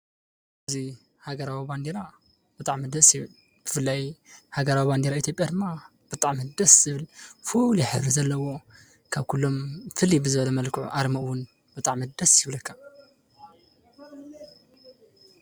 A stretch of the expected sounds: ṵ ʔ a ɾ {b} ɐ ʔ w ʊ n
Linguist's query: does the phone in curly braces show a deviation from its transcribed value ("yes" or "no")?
yes